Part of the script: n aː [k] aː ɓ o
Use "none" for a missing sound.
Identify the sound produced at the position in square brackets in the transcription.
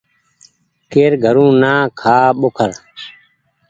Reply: kʰ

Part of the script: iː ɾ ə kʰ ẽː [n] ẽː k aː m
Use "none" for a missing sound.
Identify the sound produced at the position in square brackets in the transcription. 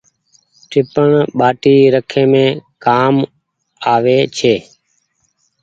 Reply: m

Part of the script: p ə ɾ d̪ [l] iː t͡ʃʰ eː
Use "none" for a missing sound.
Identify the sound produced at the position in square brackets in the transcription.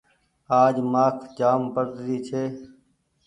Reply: ɾ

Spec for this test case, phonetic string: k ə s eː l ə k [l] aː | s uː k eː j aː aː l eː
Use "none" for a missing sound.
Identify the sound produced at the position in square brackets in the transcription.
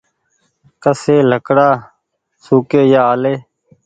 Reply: ɽ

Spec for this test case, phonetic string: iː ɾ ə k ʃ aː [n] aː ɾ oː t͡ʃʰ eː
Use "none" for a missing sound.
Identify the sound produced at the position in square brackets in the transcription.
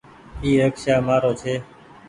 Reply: m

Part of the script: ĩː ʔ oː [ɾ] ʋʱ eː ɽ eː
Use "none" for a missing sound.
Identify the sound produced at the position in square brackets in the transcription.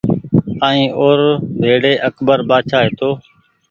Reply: ɾ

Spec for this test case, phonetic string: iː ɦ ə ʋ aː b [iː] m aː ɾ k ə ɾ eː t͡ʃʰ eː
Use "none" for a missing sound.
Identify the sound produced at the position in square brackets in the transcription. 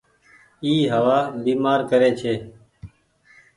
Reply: iː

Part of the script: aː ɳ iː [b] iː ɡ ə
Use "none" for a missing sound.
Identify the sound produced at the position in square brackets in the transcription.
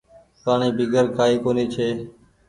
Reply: b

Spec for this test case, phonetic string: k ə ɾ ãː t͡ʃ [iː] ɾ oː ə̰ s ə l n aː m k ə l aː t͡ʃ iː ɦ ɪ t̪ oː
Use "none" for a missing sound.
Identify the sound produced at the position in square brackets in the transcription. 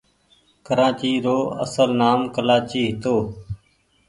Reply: iː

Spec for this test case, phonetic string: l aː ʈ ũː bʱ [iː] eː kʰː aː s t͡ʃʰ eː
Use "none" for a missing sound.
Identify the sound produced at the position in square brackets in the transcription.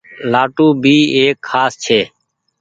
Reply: iː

